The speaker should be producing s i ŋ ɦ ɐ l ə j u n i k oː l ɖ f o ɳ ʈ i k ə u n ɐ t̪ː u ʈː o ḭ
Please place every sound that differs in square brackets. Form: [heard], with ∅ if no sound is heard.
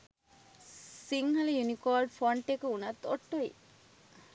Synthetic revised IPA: s i ŋ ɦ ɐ l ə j u n i k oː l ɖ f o ɳ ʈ [e] k ə u n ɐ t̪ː [o] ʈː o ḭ